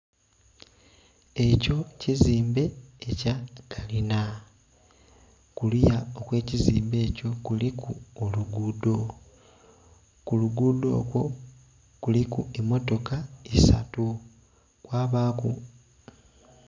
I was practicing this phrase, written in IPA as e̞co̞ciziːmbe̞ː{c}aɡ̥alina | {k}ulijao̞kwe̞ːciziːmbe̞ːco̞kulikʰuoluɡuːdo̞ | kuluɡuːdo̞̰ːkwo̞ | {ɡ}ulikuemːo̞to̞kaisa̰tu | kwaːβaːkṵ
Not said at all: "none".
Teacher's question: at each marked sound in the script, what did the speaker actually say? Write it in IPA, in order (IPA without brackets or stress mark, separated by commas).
c, k, k